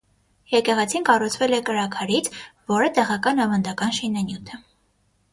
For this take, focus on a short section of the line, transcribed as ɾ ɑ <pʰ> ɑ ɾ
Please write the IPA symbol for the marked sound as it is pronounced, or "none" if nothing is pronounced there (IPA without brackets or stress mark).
kʰ